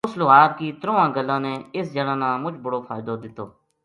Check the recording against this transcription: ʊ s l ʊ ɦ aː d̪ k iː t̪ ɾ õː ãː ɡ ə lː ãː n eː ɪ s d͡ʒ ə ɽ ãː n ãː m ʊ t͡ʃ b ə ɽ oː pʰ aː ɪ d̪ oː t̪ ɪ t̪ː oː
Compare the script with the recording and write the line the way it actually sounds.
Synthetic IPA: ʊ s l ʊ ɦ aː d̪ k iː t̪ ɾ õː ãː ɡ ə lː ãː n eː ɪ s d͡ʒ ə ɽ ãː n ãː m ʊ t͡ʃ b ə ɽ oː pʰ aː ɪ d̪ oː d̪ ɪ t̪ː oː